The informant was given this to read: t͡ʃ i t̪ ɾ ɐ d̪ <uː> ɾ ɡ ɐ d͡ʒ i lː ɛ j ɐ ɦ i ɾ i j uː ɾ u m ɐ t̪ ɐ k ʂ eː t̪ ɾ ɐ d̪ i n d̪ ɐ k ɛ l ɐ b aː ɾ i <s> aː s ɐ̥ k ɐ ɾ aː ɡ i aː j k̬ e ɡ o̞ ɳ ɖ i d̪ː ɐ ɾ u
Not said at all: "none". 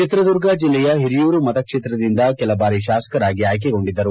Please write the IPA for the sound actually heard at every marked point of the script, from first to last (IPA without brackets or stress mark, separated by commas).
u, ʃ